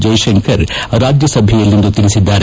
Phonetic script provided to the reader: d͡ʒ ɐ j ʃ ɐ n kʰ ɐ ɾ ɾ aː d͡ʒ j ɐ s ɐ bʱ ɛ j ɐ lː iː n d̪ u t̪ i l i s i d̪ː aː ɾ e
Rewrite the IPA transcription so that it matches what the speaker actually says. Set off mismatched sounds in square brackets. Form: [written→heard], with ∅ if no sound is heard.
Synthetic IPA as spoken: d͡ʒ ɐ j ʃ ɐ [n→ŋ] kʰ ɐ ɾ ɾ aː d͡ʒ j ɐ s ɐ bʱ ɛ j ɐ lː [iː→i] n d̪ u t̪ i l i s i d̪ː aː ɾ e